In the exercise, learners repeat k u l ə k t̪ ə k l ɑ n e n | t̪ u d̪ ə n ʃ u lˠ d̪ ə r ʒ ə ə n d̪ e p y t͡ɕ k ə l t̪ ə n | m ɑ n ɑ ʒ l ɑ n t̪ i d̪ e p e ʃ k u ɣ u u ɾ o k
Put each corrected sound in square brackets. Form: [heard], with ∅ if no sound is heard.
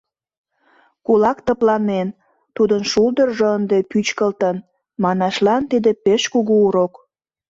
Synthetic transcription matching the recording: k u l [ɑ] k t̪ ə [p] l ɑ n e n | t̪ u d̪ ə n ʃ u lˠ d̪ ə r ʒ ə ə n d̪ e p y t͡ɕ k ə l t̪ ə n | m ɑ n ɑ [ʃ] l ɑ n t̪ i d̪ e p e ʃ k u ɣ u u ɾ o k